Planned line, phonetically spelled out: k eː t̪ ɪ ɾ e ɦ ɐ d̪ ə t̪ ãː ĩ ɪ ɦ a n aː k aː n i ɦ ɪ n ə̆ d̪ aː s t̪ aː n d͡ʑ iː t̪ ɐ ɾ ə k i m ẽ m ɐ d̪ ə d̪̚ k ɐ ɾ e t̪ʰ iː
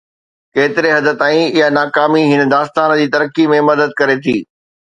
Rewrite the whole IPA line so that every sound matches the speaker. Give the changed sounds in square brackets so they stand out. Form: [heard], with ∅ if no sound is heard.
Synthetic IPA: k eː t̪ ɪ ɾ e ɦ ɐ d̪ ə t̪ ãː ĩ ɪ ɦ a n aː k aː [m] i ɦ ɪ n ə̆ d̪ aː s t̪ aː n d͡ʑ iː t̪ ɐ ɾ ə k i m ẽ m ɐ d̪ ə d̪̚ k ɐ ɾ e t̪ʰ iː